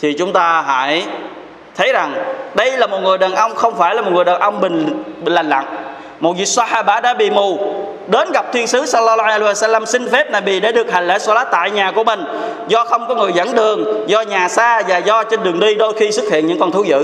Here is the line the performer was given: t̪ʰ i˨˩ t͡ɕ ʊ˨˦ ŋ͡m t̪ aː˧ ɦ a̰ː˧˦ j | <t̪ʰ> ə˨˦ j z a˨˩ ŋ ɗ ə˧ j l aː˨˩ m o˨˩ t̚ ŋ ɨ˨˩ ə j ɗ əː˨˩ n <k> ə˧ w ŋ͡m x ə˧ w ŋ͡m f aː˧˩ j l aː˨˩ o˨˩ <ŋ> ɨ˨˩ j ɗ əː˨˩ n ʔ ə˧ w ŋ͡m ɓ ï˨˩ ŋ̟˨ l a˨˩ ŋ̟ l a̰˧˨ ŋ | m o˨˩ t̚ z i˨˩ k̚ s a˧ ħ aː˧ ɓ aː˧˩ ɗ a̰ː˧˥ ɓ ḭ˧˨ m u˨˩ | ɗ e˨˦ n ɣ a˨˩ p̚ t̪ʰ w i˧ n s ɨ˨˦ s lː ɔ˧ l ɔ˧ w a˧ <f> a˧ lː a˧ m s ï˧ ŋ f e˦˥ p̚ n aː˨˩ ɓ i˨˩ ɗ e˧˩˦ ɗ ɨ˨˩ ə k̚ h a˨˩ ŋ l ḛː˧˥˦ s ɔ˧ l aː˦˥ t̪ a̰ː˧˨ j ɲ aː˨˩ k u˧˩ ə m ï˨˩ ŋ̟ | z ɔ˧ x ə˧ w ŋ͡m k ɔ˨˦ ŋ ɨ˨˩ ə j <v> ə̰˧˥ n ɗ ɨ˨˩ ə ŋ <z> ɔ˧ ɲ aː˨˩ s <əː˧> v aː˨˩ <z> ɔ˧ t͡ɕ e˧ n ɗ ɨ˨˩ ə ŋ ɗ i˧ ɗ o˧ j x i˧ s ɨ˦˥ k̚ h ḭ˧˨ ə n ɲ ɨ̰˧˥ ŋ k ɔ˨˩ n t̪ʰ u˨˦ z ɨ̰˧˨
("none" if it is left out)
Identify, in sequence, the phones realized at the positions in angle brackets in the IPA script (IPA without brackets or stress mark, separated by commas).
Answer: t̪ʰ, ʔ, ŋ, s, z, z, aː˧, z